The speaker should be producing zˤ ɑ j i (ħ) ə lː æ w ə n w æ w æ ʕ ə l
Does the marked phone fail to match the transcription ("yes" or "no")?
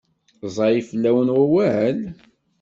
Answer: yes